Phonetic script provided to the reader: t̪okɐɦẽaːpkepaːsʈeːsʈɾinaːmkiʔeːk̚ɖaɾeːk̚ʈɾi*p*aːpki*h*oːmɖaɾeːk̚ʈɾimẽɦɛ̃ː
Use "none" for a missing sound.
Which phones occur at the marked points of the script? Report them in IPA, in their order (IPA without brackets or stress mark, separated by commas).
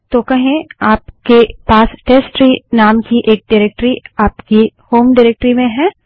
none, h